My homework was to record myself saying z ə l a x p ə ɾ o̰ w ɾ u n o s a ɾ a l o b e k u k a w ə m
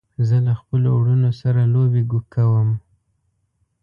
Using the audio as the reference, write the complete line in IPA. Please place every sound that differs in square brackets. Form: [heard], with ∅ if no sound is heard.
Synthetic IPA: z ə l a x p ə [l] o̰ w [ɽ] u n o s a ɾ a l o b e [ɡ] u k a w ə m